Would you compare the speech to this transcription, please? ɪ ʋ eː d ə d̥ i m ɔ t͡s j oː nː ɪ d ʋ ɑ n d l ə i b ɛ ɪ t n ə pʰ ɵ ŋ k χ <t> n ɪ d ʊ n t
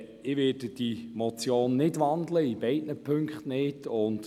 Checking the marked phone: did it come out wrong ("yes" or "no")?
no